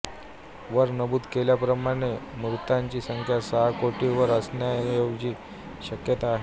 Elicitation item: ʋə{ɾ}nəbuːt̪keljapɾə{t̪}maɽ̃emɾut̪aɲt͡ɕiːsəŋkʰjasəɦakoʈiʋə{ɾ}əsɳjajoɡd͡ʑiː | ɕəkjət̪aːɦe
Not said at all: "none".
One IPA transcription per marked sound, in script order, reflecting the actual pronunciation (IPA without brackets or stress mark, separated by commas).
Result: ɾ, none, ɾ